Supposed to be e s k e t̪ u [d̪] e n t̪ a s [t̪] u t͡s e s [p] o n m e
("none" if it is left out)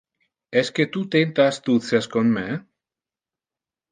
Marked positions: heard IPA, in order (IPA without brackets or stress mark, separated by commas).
t̪, t̪, k